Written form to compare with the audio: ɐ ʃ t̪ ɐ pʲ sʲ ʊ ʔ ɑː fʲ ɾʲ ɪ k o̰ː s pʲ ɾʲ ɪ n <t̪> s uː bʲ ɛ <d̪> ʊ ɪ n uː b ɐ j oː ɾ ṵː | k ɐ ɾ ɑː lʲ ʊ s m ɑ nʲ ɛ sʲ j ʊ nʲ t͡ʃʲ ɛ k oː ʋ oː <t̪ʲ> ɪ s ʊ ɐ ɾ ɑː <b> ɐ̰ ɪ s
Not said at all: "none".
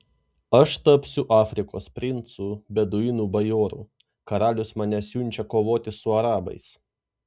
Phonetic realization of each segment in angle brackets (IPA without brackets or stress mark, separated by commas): t̪, d̪, t̪ʲ, b